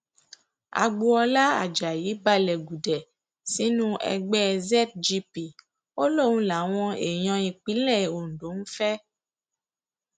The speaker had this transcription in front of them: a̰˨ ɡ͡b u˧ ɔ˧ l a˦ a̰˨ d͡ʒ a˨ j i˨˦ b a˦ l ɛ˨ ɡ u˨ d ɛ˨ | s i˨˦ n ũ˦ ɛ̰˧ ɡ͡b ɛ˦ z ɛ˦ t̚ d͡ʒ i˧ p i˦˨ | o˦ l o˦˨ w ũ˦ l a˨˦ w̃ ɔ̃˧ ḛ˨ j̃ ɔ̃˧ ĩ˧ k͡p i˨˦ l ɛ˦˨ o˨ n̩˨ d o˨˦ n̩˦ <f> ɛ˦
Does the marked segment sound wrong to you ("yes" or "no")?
no